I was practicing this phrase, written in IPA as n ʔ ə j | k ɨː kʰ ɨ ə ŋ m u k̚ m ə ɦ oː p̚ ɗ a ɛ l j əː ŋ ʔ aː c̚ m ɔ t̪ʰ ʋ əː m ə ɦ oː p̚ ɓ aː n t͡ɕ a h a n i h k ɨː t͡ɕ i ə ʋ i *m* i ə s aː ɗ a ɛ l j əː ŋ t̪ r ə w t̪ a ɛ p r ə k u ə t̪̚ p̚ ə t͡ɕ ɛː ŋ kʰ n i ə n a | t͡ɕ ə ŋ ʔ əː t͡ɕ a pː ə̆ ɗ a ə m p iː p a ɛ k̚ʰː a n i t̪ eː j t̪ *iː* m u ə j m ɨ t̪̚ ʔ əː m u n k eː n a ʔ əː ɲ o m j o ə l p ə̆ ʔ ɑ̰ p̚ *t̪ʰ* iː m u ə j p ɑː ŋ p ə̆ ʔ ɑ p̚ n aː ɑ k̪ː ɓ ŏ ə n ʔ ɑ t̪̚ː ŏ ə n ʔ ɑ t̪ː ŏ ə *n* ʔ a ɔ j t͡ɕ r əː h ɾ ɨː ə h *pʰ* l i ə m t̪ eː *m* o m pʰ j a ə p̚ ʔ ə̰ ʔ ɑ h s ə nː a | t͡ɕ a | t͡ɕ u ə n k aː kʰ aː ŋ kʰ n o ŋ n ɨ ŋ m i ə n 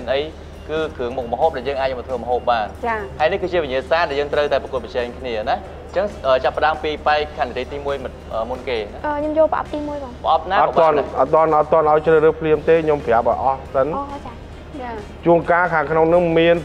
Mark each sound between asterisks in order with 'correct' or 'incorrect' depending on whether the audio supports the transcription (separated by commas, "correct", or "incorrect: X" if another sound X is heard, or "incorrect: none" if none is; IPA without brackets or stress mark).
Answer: incorrect: ɲ, correct, incorrect: t̪, correct, correct, incorrect: ɲ